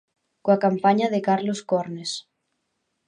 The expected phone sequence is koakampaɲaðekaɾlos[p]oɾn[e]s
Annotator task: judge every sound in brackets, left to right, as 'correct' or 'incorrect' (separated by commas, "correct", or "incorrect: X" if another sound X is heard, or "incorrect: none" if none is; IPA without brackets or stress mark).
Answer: incorrect: k, correct